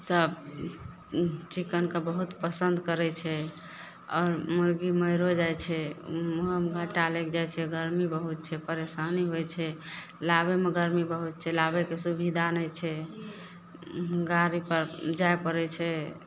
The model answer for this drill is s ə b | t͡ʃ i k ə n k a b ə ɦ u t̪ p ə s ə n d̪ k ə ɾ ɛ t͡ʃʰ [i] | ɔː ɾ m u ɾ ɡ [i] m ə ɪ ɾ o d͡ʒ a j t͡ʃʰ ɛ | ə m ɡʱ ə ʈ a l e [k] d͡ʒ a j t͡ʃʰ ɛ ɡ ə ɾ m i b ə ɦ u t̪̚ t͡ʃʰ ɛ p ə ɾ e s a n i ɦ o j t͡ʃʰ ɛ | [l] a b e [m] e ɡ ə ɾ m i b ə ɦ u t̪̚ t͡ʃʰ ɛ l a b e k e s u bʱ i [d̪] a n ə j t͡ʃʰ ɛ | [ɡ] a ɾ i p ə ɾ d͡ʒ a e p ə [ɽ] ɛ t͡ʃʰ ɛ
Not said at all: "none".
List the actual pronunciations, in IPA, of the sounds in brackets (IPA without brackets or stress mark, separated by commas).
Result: ɛ, i, k, l, m, d̪, ɡ, ɾ